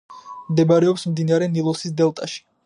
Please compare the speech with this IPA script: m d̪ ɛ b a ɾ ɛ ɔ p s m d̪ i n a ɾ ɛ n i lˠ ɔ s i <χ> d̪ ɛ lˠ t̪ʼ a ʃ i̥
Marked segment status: incorrect: s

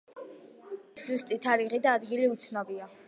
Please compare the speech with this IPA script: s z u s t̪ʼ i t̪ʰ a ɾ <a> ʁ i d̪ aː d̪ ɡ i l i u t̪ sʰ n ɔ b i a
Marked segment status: incorrect: i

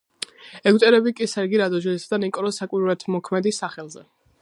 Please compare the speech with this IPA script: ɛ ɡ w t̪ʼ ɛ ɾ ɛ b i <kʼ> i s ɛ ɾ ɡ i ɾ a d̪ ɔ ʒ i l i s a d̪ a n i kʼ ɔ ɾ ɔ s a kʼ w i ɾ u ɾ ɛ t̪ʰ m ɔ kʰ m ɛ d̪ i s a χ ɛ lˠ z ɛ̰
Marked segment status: correct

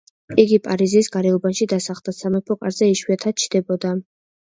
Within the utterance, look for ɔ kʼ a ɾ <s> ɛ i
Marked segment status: incorrect: z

